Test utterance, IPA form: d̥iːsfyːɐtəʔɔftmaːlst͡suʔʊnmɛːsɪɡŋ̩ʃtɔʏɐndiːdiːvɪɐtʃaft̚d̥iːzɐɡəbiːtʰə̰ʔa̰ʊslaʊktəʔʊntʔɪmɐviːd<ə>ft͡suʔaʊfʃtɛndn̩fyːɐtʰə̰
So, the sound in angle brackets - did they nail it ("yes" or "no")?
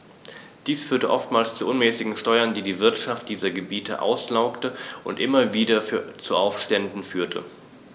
no